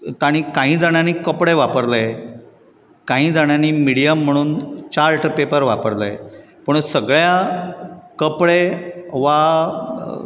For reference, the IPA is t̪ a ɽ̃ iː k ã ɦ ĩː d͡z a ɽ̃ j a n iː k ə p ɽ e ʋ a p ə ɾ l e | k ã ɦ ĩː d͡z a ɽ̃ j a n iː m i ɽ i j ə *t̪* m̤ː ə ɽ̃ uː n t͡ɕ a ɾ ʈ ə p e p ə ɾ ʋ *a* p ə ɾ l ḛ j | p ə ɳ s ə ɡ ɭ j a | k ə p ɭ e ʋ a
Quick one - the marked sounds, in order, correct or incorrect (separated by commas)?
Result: incorrect, correct